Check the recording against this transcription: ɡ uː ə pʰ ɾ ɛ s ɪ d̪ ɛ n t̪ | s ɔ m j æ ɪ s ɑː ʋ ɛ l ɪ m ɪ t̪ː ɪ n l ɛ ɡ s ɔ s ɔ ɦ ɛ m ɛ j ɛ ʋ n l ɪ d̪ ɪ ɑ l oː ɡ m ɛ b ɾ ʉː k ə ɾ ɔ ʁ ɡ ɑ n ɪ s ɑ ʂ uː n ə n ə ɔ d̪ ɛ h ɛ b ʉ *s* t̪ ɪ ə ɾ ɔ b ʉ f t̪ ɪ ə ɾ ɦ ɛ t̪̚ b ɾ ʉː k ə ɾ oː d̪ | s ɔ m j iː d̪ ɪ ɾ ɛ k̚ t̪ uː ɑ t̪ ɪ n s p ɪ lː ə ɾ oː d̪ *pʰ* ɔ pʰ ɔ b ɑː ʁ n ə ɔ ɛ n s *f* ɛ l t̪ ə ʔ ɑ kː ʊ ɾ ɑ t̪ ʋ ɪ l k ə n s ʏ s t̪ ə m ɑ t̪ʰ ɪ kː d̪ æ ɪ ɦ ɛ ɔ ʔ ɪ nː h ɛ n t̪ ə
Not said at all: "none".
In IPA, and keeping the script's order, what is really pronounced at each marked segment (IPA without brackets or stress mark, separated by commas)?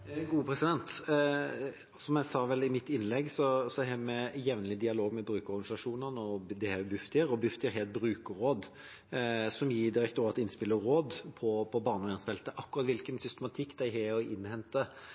f, pʰ, f